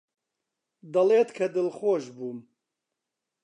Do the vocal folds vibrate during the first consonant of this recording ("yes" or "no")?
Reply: yes